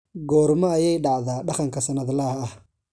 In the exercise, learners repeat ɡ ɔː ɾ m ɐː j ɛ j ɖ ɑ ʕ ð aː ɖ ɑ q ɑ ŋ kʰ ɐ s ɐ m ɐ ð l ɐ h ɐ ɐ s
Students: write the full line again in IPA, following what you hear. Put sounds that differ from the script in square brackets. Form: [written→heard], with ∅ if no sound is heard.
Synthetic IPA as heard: ɡ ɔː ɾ m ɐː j ɛ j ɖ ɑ ʕ ð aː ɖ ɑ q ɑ ŋ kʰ ɐ s ɐ [m→n] ɐ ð l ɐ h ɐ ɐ [s→h]